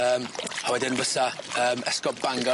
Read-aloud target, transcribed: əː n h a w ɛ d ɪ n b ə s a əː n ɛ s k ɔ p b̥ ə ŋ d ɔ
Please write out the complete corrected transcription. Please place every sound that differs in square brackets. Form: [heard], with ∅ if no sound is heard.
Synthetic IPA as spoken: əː [m] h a w ɛ d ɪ n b ə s a əː [m] ɛ s k ɔ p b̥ [a] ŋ [ɡ] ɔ

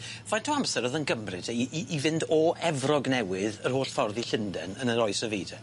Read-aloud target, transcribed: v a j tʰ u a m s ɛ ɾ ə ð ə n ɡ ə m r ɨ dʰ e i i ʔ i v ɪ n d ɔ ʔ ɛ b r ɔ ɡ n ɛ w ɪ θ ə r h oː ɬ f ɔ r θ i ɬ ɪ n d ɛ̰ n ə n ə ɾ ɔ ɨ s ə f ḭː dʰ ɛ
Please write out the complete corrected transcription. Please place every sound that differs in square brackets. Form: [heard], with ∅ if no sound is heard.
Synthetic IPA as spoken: v a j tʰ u a m s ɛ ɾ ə ð ə n ɡ ə m r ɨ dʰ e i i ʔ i v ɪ n d ɔ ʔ ɛ [v] r ɔ ɡ n ɛ w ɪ [ð] ə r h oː ɬ f ɔ r [ð] i ɬ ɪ n d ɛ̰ n ə n ə ɾ ɔ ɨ s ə [v] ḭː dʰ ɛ

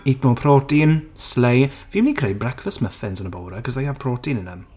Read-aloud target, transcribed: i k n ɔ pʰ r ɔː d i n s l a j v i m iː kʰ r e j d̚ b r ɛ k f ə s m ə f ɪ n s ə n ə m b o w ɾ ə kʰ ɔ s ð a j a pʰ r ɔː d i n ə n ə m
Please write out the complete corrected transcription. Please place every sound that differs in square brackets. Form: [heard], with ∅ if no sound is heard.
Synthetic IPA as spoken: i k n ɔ pʰ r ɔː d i n s l [e] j v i m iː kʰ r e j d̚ b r ɛ k f ə s m ə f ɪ n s ə n ə [∅] b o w ɾ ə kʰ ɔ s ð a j a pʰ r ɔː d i n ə n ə m

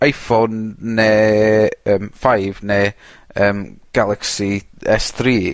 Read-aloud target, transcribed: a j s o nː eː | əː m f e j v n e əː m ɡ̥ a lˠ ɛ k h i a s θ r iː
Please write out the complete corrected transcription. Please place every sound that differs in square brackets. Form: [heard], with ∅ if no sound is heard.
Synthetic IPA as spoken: a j [f] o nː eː | əː m f [a] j v n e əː m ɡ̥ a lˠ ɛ k [s] i [ɛ] s θ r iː

